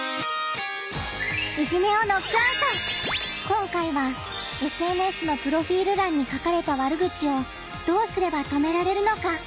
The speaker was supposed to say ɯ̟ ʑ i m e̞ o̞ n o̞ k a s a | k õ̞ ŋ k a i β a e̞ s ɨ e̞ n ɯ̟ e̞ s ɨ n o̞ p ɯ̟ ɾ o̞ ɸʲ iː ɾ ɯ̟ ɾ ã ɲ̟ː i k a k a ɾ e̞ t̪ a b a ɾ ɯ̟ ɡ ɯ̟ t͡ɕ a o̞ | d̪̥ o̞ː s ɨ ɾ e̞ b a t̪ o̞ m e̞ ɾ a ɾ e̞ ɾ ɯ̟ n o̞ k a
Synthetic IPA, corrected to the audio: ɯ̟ ʑ i m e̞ o̞ n o̞ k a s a | k õ̞ ŋ k a i β a e̞ s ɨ e̞ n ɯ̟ e̞ s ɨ n o̞ p ɯ̟ ɾ o̞ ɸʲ iː ɾ ɯ̟ ɾ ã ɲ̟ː i k a k a ɾ e̞ t̪ a β a ɾ ɯ̟ ɡ ɯ̟ t͡ɕ i o̞ | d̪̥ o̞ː s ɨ ɾ e̞ b a t̪ o̞ m e̞ ɾ a ɾ e̞ ɾ ɯ̟ n o̞ k a